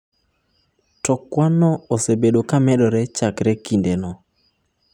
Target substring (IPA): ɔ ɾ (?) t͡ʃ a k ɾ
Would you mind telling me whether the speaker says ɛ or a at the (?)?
ɛ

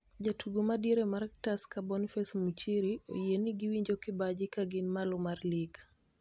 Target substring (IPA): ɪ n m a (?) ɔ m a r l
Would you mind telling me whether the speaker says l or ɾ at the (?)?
l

